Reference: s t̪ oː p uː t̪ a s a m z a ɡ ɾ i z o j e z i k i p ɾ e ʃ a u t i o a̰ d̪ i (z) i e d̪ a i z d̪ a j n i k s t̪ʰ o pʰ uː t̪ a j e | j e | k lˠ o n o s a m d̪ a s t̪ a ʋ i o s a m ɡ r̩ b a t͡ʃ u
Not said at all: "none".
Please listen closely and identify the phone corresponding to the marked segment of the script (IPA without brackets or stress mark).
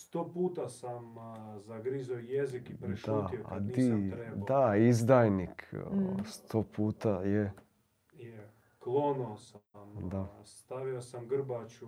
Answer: none